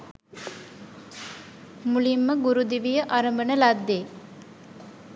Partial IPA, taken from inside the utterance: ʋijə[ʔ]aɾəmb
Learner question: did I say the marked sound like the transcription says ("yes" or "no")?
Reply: yes